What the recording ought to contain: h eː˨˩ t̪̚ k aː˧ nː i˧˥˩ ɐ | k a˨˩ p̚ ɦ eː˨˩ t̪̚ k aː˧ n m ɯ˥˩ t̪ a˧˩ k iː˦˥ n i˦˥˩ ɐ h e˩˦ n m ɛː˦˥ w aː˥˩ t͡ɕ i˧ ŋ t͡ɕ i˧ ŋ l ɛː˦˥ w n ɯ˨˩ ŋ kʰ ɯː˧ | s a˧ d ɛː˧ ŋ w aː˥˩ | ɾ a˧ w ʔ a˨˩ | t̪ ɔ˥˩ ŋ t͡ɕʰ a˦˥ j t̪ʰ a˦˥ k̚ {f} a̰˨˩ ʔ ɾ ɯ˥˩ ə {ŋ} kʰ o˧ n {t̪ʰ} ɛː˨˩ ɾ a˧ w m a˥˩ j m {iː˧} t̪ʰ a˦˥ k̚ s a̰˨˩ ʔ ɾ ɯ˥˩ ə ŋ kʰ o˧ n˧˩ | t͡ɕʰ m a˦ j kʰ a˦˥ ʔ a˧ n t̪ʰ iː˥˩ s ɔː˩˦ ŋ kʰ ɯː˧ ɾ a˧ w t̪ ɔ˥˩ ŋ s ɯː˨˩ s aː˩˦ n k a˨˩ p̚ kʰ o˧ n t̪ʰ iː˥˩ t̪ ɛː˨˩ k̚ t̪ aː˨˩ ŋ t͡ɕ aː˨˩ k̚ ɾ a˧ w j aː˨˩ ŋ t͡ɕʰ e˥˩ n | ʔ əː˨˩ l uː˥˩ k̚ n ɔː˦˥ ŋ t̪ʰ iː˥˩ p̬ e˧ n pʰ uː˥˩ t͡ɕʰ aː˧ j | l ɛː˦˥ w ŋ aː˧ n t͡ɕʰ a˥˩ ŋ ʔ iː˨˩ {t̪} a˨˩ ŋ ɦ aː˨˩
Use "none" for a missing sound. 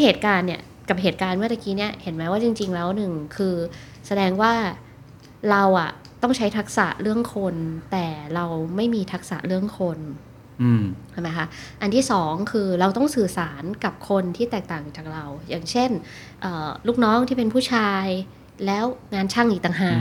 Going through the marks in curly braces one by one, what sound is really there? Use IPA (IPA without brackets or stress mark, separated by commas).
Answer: s, ŋ, t̪, iː˧, t̪